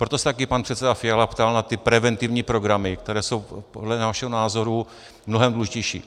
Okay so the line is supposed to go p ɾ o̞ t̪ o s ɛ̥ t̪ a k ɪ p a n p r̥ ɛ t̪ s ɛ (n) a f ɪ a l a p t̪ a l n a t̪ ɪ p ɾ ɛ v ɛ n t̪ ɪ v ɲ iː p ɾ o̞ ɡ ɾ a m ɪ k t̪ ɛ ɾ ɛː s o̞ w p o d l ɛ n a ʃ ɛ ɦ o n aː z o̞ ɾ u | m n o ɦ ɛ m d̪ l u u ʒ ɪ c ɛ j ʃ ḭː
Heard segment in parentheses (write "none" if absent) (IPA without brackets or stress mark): d